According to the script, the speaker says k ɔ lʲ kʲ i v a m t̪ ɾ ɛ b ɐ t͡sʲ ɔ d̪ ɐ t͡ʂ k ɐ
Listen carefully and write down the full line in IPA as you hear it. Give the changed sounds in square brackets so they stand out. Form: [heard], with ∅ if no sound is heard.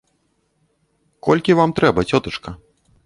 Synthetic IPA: k ɔ lʲ kʲ i v a m t̪ ɾ ɛ b ɐ t͡sʲ ɔ [t̪] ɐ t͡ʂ k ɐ

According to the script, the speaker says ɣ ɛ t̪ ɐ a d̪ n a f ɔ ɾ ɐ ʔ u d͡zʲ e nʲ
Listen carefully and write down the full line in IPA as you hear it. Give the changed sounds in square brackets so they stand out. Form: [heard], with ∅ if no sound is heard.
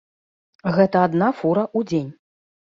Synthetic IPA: ɣ ɛ t̪ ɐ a d̪ n a f [u] ɾ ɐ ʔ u d͡zʲ e nʲ

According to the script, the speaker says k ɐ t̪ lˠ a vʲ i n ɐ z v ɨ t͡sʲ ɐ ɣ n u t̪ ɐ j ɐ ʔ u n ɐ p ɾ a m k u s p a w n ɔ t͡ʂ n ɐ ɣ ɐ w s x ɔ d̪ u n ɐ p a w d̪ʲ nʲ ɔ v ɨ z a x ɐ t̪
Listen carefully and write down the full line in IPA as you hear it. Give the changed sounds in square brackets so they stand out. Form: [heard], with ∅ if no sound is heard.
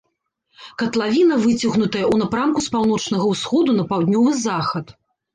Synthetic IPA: k ɐ t̪ lˠ a vʲ i n ɐ [∅] v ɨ t͡sʲ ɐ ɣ n u t̪ ɐ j ɐ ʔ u n ɐ p ɾ a m k u s p a w n ɔ t͡ʂ n ɐ ɣ ɐ w s x ɔ d̪ u n ɐ p a w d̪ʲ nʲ ɔ v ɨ z a x ɐ t̪

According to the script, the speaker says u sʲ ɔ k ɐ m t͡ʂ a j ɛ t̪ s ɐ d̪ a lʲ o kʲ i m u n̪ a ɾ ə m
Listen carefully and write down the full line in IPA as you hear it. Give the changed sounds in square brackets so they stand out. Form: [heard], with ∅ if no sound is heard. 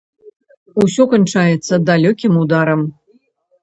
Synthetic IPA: u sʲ ɔ k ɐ [n] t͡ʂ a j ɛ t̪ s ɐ d̪ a lʲ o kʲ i m u [d̪] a ɾ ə m

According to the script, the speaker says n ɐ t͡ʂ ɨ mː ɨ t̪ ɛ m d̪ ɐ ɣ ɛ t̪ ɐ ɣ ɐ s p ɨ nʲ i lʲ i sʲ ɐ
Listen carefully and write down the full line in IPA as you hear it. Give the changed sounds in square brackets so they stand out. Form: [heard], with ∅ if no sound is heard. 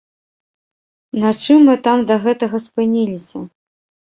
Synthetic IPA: n ɐ t͡ʂ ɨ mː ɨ t̪ [a] m d̪ ɐ ɣ ɛ t̪ ɐ ɣ ɐ s p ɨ nʲ i lʲ i sʲ ɐ

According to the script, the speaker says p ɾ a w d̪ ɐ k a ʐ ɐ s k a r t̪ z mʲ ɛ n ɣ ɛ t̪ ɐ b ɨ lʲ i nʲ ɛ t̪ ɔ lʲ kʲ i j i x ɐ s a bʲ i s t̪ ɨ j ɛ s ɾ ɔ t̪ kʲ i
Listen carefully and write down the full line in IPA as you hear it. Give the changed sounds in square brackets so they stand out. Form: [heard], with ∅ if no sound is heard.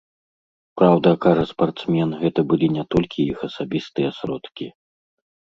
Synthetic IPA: p ɾ a w d̪ ɐ k a ʐ ɐ s [p] a r t̪ [s] mʲ ɛ n ɣ ɛ t̪ ɐ b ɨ lʲ i nʲ ɛ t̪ ɔ lʲ kʲ i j i x ɐ s a bʲ i s t̪ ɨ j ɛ s ɾ ɔ t̪ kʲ i

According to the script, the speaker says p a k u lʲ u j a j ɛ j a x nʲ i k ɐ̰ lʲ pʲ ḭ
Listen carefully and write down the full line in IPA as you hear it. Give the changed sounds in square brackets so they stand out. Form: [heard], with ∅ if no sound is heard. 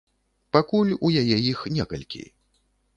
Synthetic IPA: p a k u lʲ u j a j ɛ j [i] x nʲ [ɛ] k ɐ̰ lʲ [kʲ] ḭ

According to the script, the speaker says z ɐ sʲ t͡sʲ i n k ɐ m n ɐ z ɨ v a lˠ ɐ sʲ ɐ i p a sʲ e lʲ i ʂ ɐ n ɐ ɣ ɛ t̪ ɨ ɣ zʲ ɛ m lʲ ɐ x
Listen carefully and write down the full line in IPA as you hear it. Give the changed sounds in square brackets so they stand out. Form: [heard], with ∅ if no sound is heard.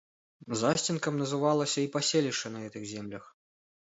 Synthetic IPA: z [a] sʲ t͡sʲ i n k ɐ m n ɐ z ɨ v a lˠ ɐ sʲ ɐ i p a sʲ e lʲ i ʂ ɐ n ɐ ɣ ɛ t̪ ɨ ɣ zʲ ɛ m lʲ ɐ x

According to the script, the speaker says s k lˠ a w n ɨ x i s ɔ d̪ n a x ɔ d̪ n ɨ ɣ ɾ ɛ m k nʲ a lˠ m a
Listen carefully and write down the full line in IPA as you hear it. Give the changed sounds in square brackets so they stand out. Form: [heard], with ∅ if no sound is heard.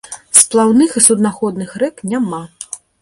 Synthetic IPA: s [p] lˠ a w n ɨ x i s [u] d̪ n a x ɔ d̪ n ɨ [x] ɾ ɛ [∅] k nʲ a [∅] m a

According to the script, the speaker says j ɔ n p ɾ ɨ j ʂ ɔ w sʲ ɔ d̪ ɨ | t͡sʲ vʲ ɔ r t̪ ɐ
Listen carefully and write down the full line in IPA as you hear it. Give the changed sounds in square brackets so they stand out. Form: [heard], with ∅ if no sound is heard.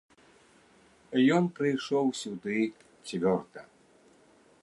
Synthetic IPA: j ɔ n p ɾ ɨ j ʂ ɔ w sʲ [u] d̪ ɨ | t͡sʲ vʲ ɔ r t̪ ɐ

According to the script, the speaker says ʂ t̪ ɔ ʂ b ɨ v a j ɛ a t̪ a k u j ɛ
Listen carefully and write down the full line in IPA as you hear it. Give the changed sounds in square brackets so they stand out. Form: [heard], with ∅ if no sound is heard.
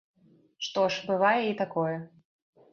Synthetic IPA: ʂ t̪ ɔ ʂ b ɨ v a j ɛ [i] t̪ a k [ɔ] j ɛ

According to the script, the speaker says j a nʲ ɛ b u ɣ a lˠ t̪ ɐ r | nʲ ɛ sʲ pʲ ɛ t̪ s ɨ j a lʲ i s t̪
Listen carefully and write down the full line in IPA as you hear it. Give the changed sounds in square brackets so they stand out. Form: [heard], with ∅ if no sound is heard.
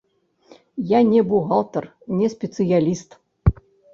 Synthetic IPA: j a nʲ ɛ b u ɣ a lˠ t̪ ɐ r | nʲ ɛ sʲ pʲ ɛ t̪ s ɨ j a lʲ i s t̪

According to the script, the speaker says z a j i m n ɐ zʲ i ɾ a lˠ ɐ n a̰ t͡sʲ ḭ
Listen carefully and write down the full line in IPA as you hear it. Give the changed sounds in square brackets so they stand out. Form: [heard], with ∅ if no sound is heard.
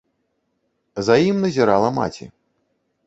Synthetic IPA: z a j i m n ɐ zʲ i ɾ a lˠ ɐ [m] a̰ t͡sʲ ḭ

